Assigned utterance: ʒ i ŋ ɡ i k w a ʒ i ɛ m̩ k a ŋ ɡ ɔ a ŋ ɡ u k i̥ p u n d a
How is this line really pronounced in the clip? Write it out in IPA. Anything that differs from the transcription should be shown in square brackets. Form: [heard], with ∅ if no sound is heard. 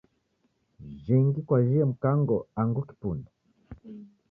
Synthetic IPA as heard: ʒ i ŋ ɡ i k w a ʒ i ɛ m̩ k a ŋ ɡ ɔ a ŋ ɡ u k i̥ p u n d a

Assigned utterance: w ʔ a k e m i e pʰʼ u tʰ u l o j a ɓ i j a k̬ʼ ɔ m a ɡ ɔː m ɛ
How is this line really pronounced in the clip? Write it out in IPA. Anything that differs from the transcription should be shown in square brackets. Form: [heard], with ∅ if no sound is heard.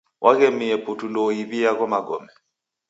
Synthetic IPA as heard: w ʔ a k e m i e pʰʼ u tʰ u l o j [i] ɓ i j a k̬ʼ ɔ m a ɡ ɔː m ɛ

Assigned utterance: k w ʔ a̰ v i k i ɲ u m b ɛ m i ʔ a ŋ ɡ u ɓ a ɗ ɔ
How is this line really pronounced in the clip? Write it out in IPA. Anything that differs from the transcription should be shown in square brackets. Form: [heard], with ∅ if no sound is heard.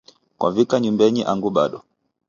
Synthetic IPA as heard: k w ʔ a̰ v i k [a] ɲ u m b ɛ [ɲ] i ʔ a ŋ ɡ u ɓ a ɗ ɔ

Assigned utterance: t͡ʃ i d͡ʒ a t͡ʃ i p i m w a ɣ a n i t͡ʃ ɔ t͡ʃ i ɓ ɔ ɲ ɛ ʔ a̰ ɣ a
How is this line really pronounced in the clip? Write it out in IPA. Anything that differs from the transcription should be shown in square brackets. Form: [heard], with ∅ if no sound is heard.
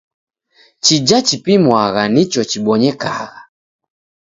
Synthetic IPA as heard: t͡ʃ i d͡ʒ a t͡ʃ i p i m w a ɣ a n i t͡ʃ ɔ t͡ʃ i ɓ ɔ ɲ ɛ [k] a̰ ɣ a

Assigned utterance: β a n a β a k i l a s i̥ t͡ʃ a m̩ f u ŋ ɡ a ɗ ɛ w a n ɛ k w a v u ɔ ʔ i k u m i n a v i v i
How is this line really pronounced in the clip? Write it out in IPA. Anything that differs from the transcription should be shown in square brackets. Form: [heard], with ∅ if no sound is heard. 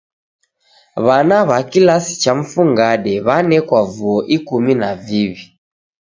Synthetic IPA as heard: β a n a β a k i l a s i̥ t͡ʃ a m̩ f u ŋ ɡ a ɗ ɛ [β] a n ɛ k w a v u ɔ ʔ i k u m i n a v i [β] i

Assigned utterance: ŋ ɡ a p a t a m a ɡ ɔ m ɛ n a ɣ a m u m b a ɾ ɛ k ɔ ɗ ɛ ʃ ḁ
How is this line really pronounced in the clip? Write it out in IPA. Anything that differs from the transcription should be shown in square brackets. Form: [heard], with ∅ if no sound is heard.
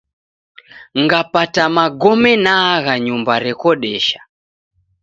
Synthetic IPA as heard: ŋ ɡ a p a t a m a ɡ ɔ m ɛ n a ɣ a [ɲ] u m b a ɾ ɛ k ɔ ɗ ɛ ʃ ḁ

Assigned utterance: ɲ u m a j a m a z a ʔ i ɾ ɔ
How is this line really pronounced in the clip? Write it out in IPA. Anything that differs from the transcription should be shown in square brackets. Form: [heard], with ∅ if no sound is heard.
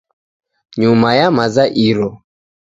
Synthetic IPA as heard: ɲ u m a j a m a z a ʔ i ɾ ɔ

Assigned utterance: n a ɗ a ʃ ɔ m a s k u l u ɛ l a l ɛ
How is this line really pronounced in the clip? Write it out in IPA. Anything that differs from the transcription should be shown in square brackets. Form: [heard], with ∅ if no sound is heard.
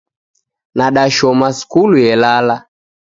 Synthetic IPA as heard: n a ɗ a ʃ ɔ m a s k u l u ɛ l a l [a]

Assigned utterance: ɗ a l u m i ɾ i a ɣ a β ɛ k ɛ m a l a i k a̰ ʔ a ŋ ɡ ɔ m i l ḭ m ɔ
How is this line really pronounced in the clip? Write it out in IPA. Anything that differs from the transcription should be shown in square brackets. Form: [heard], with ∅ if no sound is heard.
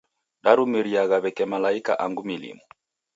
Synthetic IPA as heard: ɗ a [ɾ] u m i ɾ i a ɣ a β ɛ k ɛ m a l a i k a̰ ʔ a ŋ ɡ [u] m i l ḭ m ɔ

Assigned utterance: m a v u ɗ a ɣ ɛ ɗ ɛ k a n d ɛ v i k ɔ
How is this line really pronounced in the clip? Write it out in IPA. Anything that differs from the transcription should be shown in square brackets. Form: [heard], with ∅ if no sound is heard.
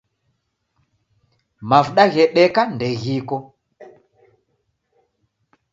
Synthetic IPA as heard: m a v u ɗ a ɣ ɛ ɗ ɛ k a n d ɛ [ɣ] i k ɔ

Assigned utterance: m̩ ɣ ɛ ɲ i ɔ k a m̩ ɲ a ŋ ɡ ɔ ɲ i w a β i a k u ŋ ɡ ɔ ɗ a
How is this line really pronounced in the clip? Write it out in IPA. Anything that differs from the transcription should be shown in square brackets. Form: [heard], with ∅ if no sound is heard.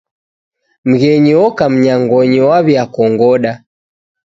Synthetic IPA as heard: m̩ ɣ ɛ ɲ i ɔ k a m̩ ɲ a ŋ ɡ ɔ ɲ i w a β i a k [ɔ] ŋ ɡ ɔ ɗ a

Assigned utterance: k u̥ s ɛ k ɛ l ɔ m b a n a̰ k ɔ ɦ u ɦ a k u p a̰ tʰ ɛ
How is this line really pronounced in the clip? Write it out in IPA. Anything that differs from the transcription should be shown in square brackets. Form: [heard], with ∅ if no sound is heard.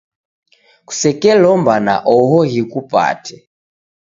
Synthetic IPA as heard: k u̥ s ɛ k ɛ l ɔ m b a n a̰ [ʔ] ɔ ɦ [ɔ] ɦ [i] k u p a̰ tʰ ɛ

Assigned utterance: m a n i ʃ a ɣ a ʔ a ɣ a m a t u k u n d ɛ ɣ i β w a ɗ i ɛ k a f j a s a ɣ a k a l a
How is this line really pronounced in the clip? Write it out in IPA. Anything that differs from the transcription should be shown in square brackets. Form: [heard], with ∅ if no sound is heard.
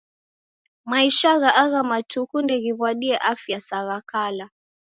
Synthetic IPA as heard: m a [∅] i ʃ a ɣ a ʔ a ɣ a m a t u k u n d ɛ ɣ i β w a ɗ i ɛ [ʔ] a f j a s a ɣ a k a l a

